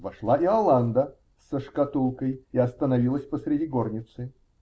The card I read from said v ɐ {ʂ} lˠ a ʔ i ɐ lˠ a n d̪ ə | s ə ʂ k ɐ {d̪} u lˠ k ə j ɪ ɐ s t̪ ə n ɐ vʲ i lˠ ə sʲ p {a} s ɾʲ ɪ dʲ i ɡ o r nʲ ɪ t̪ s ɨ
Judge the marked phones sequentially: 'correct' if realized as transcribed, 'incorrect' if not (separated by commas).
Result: correct, incorrect, incorrect